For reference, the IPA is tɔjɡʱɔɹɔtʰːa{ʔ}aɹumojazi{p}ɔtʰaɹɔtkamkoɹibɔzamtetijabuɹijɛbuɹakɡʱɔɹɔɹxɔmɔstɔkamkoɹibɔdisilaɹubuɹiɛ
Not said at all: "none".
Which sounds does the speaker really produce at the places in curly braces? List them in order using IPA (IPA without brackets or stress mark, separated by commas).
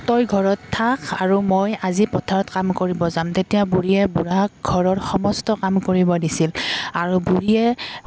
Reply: k, p